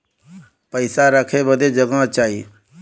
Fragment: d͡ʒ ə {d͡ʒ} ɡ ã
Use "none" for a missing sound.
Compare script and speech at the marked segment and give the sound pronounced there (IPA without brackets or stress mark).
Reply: none